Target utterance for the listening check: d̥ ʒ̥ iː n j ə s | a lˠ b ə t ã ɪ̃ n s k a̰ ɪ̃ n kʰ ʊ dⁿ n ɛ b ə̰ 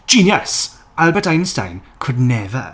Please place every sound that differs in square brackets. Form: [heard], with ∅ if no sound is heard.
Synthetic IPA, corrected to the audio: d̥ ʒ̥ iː n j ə s | a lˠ b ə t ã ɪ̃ n s [t] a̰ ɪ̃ n kʰ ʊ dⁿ n ɛ [v] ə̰